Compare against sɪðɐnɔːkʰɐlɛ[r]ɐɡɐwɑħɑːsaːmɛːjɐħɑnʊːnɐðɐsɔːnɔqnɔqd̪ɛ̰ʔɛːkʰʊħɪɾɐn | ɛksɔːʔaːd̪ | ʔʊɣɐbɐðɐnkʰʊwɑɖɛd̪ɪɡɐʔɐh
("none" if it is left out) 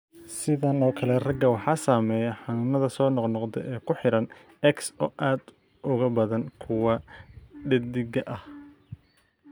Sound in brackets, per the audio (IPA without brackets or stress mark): r